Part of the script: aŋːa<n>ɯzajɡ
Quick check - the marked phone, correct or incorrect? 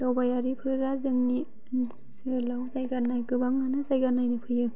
correct